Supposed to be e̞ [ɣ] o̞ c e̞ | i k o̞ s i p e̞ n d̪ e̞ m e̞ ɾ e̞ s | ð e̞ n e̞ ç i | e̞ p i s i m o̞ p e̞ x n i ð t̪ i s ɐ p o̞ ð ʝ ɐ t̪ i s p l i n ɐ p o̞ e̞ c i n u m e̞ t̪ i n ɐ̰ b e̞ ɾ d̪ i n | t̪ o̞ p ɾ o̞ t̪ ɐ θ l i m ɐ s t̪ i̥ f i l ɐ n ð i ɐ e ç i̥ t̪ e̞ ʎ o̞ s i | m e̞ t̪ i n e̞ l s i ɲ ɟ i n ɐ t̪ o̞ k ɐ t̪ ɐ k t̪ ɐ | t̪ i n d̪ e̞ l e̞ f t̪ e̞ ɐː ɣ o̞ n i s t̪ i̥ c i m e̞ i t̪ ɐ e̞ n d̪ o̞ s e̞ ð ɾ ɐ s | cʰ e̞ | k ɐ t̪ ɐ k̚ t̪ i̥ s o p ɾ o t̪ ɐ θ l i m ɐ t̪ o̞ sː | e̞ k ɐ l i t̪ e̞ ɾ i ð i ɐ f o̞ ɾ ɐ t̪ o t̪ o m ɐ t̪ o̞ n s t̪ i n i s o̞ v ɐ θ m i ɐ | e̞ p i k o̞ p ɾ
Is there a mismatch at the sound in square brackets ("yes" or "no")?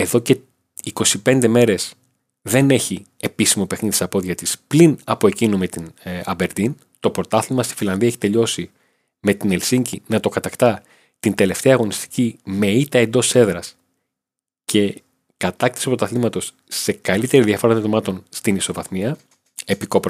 yes